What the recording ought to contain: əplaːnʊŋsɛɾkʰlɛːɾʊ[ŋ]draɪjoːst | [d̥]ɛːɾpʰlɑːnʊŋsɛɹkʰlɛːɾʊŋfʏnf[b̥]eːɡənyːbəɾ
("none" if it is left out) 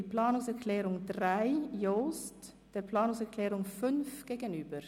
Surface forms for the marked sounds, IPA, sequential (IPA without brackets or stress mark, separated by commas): ŋ, d̥, ɡ̥